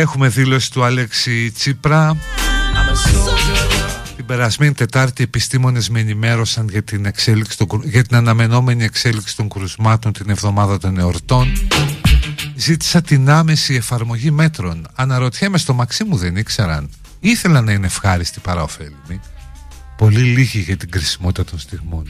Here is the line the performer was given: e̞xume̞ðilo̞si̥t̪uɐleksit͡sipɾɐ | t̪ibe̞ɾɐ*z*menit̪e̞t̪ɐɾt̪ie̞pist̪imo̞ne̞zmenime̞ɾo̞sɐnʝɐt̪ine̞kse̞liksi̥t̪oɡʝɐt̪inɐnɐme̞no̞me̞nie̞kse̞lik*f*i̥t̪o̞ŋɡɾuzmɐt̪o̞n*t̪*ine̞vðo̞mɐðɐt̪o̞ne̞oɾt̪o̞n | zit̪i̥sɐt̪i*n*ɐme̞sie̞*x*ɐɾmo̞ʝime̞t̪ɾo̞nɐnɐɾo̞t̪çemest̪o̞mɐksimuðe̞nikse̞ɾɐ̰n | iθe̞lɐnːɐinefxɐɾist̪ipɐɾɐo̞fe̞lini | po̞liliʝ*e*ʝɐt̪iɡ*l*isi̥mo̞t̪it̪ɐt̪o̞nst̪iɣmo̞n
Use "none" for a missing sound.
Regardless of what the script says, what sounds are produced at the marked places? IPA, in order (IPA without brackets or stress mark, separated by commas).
z, s, t̪, n, f, i, ɾ